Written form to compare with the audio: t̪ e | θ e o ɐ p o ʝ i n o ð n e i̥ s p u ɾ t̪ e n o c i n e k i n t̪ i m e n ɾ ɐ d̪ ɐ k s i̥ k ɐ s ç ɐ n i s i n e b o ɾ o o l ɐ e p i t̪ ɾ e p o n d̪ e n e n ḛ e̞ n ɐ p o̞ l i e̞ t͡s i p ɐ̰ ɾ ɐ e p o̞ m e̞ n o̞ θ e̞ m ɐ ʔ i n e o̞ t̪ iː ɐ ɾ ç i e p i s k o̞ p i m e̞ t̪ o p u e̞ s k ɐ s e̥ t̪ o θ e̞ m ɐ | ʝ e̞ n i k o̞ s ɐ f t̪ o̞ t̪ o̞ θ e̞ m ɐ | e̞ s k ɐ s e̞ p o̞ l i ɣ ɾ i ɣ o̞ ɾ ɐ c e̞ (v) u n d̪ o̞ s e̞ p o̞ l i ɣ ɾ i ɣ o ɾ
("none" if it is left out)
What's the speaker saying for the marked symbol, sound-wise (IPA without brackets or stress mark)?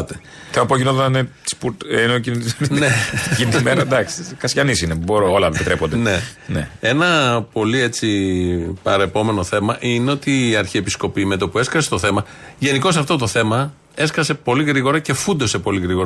f